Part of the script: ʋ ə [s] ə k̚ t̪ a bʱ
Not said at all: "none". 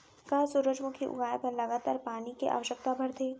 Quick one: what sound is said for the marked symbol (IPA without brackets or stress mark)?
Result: ʃ